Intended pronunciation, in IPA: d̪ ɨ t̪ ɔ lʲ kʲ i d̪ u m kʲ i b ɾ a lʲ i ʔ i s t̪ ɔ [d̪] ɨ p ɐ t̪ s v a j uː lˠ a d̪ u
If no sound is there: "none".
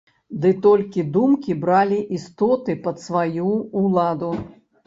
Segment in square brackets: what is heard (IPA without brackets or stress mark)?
t̪